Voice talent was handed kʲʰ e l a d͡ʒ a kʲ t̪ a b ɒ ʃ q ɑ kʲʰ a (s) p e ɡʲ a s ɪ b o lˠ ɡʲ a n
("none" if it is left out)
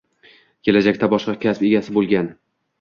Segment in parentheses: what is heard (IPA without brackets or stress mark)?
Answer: s